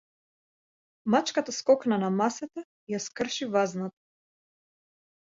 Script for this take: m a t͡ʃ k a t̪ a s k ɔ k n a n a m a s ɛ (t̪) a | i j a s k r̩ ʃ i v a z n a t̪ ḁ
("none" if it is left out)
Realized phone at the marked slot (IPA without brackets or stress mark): t̪